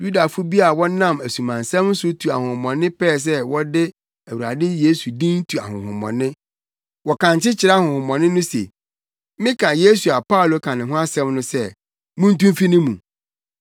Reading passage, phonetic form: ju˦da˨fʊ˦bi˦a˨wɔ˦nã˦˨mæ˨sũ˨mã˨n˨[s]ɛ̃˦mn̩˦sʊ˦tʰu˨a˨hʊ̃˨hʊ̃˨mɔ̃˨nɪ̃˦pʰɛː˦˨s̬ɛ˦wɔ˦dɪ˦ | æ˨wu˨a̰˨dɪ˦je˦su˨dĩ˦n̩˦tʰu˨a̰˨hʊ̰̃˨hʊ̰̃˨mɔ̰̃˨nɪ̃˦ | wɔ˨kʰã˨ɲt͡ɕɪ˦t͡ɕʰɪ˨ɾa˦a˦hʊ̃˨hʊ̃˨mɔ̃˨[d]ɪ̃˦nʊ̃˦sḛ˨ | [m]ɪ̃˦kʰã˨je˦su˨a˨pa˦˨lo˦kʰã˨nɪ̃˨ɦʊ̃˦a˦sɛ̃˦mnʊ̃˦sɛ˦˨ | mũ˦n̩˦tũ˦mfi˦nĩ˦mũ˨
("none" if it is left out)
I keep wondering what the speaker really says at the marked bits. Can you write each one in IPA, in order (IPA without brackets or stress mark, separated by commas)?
s, n, m